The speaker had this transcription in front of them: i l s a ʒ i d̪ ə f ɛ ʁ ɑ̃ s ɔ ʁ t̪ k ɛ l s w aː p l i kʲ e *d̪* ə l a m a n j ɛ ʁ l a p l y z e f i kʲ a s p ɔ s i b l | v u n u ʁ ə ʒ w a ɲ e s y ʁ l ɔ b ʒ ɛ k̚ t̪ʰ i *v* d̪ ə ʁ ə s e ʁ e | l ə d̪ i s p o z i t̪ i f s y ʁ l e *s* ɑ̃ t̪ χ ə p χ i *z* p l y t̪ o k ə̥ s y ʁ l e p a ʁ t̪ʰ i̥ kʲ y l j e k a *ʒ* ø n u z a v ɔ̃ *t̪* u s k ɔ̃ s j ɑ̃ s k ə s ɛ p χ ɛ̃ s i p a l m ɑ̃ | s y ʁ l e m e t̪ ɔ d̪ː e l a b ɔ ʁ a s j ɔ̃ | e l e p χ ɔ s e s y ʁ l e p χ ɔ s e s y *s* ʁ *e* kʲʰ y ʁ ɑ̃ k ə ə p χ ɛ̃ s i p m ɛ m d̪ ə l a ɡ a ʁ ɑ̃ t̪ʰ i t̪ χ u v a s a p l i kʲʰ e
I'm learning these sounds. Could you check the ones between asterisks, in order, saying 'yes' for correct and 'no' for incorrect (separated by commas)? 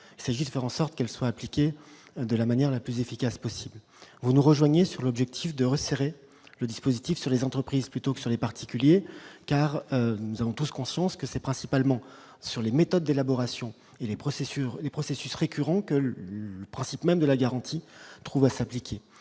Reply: yes, no, no, yes, no, yes, yes, yes